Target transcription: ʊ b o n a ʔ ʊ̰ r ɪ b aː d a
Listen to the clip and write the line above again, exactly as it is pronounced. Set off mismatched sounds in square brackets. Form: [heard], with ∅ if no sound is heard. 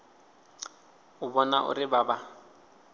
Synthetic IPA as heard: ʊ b [ɔ] n a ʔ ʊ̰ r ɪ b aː [b] a